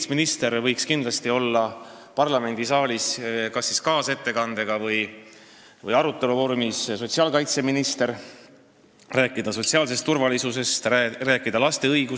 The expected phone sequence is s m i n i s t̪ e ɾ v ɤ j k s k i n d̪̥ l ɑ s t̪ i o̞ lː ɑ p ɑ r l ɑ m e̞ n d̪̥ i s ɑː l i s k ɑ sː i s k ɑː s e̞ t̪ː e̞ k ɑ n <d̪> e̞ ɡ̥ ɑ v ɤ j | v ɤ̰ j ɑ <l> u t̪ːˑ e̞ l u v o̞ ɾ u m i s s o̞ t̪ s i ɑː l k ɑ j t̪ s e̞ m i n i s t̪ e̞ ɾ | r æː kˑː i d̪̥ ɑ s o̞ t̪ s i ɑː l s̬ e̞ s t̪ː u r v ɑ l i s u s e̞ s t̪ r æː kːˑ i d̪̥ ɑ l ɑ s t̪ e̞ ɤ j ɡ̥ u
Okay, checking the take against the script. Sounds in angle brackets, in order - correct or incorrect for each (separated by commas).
correct, incorrect